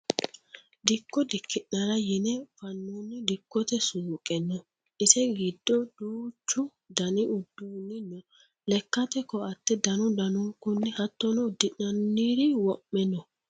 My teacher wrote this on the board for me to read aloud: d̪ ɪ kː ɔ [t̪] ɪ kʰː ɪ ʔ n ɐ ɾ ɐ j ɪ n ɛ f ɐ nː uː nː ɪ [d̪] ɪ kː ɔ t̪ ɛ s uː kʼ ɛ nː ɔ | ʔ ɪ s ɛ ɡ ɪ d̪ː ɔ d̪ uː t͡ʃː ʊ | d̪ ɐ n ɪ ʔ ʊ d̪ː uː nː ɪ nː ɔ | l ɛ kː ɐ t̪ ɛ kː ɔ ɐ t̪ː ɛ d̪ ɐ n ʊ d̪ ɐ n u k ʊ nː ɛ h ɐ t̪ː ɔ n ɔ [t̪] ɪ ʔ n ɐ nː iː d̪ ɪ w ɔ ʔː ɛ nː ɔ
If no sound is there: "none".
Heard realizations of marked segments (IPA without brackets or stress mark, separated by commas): d̪, d̪, d̪